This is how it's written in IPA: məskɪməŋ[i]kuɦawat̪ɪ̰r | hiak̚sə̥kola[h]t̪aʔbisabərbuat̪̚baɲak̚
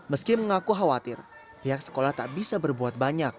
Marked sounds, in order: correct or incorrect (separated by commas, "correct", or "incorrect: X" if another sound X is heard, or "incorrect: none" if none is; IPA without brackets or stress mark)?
incorrect: a, correct